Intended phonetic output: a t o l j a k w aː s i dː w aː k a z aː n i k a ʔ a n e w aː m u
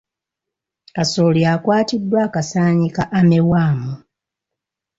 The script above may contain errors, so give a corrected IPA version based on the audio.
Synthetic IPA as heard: a s o l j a k w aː t i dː w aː k a s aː ɲ i k a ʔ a m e w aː m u